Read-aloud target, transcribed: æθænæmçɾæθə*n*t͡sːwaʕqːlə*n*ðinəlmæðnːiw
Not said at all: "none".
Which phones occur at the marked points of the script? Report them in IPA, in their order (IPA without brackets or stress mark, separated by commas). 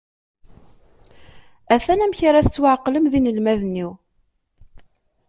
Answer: none, m